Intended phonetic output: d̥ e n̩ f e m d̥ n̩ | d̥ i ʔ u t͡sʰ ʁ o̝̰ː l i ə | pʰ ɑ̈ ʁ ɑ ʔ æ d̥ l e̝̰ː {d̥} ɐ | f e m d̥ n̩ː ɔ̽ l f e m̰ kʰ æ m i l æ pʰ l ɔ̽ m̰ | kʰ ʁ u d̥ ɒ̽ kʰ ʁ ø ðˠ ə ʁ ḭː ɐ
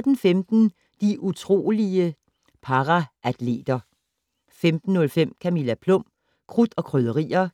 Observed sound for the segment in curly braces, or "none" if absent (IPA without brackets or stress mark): d̥